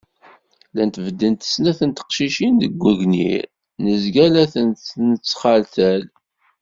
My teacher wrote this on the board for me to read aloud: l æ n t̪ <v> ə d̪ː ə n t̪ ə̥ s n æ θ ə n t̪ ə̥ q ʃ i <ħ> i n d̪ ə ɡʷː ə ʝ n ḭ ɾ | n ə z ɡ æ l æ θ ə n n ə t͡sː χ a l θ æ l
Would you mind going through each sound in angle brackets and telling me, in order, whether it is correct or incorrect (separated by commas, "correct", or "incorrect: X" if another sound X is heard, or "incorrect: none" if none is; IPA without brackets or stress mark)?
correct, incorrect: ʃ